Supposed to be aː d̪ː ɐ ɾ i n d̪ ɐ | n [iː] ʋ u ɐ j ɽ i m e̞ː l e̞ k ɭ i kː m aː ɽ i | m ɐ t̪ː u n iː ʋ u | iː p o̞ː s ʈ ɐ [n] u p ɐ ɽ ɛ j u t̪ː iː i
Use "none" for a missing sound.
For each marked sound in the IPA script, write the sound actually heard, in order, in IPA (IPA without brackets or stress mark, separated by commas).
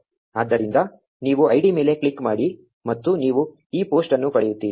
iː, nː